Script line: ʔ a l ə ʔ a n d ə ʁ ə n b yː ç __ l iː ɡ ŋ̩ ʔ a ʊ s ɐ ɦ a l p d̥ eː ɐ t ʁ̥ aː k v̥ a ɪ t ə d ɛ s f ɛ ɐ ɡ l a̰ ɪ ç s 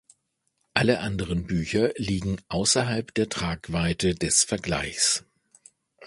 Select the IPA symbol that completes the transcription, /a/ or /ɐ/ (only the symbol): ɐ